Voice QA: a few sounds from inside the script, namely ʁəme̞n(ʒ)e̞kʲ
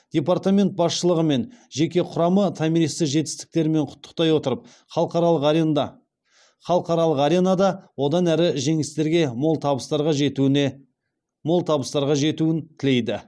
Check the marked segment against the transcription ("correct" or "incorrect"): correct